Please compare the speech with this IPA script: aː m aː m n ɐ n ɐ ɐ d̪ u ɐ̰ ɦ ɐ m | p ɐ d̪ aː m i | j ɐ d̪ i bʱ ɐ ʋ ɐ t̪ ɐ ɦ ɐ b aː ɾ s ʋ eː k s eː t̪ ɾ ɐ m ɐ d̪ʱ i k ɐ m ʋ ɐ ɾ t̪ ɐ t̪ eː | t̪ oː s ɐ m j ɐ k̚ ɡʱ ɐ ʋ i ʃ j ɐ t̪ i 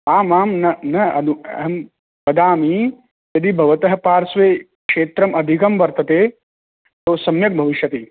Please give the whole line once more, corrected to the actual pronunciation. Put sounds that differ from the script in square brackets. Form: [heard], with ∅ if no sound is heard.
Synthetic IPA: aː m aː m n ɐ n ɐ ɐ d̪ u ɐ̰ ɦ ɐ m | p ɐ d̪ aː m i | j ɐ d̪ i bʱ ɐ ʋ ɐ t̪ ɐ ɦ ɐ [p] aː ɾ s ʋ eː k [ʂ] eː t̪ ɾ ɐ m ɐ d̪ʱ i k ɐ m ʋ ɐ ɾ t̪ ɐ t̪ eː | t̪ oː s ɐ m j ɐ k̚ [bʱ] ɐ ʋ i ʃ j ɐ t̪ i

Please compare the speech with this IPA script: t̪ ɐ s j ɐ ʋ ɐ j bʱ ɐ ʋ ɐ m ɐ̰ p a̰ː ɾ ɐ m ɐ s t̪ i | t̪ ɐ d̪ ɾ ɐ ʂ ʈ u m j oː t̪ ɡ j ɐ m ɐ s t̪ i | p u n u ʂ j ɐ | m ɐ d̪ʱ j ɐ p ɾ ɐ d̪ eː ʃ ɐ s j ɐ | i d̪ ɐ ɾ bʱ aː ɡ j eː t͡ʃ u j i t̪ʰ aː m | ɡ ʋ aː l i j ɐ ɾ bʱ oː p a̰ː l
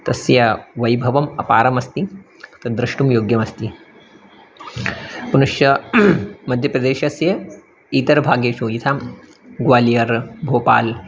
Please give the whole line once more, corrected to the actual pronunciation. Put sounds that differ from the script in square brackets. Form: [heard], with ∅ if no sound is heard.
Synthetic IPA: t̪ ɐ s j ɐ ʋ ɐ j bʱ ɐ ʋ ɐ m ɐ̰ p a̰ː ɾ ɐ m ɐ s t̪ i | t̪ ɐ d̪ ɾ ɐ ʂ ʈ u m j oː [∅] ɡ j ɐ m ɐ s t̪ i | p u n u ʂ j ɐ | m ɐ d̪ʱ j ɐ p ɾ ɐ d̪ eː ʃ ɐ s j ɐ | i [t̪] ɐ ɾ bʱ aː ɡ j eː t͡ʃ u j i t̪ʰ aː m | ɡ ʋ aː l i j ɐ ɾ bʱ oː p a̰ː l

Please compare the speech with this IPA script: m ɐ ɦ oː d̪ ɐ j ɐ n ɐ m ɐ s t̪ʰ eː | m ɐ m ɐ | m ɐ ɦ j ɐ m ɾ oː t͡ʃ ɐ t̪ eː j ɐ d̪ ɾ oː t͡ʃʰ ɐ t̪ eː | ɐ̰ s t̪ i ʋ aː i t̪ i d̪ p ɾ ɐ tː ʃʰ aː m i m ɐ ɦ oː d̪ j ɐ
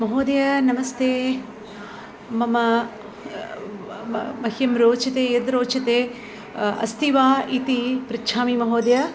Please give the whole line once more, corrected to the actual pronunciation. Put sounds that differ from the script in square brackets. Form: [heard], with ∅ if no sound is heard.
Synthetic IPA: m ɐ ɦ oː d̪ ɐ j ɐ n ɐ m ɐ s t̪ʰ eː | m ɐ m ɐ | m ɐ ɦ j ɐ m ɾ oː t͡ʃ ɐ t̪ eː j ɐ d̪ ɾ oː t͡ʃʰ ɐ t̪ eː | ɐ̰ s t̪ i ʋ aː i t̪ i [∅] p ɾ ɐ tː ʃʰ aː m i m ɐ ɦ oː d̪ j ɐ

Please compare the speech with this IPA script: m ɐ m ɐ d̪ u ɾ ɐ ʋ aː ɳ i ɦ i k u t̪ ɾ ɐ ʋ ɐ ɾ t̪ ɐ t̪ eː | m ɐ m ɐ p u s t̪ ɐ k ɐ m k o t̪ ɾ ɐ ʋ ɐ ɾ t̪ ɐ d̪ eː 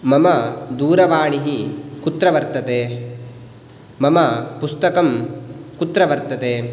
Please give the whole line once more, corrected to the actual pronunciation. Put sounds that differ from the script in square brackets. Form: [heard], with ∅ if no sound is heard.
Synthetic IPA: m ɐ m ɐ d̪ [uː] ɾ ɐ ʋ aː ɳ i ɦ i k u t̪ ɾ ɐ ʋ ɐ ɾ t̪ ɐ t̪ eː | m ɐ m ɐ p u s t̪ ɐ k ɐ m k [u] t̪ ɾ ɐ ʋ ɐ ɾ t̪ ɐ [t̪] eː

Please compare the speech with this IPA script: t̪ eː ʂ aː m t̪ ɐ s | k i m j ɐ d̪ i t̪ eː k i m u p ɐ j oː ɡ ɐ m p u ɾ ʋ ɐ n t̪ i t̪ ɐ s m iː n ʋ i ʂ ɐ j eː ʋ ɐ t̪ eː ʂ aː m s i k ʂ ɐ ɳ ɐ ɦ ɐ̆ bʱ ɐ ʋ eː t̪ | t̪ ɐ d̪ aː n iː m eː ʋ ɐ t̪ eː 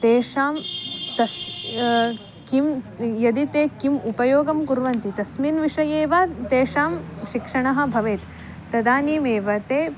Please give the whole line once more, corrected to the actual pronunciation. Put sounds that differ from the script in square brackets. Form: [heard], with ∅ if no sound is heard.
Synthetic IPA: t̪ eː ʂ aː m t̪ ɐ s | k i m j ɐ d̪ i t̪ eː k i m u p ɐ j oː ɡ ɐ m [k] u ɾ ʋ ɐ n t̪ i t̪ ɐ s m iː n ʋ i ʂ ɐ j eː ʋ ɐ t̪ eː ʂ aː m [ʃ] i k ʂ ɐ ɳ ɐ ɦ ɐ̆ bʱ ɐ ʋ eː t̪ | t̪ ɐ d̪ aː n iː m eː ʋ ɐ t̪ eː

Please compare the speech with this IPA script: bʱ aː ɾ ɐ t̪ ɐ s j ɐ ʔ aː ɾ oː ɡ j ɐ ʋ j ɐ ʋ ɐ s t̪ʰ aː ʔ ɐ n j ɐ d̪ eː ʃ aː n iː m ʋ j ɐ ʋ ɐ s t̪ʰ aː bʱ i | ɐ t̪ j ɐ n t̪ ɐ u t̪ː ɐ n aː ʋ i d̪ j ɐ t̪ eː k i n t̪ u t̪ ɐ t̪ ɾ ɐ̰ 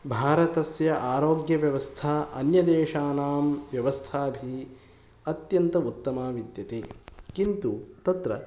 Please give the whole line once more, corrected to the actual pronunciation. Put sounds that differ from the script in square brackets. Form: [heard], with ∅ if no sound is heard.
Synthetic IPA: bʱ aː ɾ ɐ t̪ ɐ s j ɐ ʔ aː ɾ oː ɡ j ɐ ʋ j ɐ ʋ ɐ s t̪ʰ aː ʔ ɐ n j ɐ d̪ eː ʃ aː n [aː] m ʋ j ɐ ʋ ɐ s t̪ʰ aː bʱ i | ɐ t̪ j ɐ n t̪ ɐ u t̪ː ɐ [m] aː ʋ i d̪ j ɐ t̪ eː k i n t̪ u t̪ ɐ t̪ ɾ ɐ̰

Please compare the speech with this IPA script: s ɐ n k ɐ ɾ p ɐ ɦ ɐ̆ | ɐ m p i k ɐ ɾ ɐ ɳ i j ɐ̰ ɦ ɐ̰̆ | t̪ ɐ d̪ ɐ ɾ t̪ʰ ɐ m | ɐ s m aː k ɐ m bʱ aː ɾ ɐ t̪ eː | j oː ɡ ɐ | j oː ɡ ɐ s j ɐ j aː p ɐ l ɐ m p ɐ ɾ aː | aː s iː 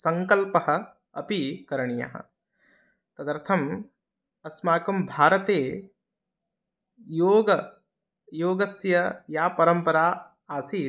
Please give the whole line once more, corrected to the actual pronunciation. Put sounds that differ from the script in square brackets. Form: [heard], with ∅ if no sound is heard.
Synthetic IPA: s ɐ [ŋ] k ɐ [l] p ɐ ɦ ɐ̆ | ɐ [∅] p i k ɐ ɾ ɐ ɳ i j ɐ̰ ɦ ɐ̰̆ | t̪ ɐ d̪ ɐ ɾ t̪ʰ ɐ m | ɐ s m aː k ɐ m bʱ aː ɾ ɐ t̪ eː | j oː ɡ ɐ | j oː ɡ ɐ s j ɐ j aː p ɐ [ɾ] ɐ m p ɐ ɾ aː | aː s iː

